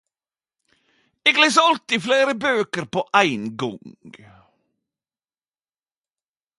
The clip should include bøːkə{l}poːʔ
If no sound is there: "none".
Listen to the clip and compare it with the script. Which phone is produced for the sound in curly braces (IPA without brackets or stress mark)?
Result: ɾ